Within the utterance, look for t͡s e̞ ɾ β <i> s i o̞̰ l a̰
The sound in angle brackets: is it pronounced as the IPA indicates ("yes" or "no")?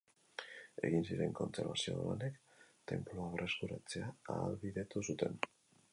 no